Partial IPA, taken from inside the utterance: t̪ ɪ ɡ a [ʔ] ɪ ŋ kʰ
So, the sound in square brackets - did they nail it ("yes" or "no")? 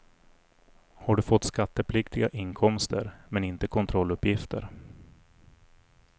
yes